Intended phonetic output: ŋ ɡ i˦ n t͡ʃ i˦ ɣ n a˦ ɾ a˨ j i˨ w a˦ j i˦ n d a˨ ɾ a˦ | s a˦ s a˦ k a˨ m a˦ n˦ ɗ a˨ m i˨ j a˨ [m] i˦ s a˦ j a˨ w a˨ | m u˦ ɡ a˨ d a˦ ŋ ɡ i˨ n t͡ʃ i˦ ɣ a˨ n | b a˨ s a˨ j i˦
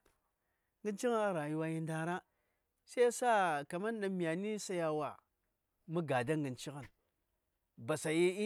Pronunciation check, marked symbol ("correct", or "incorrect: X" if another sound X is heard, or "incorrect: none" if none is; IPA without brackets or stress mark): incorrect: n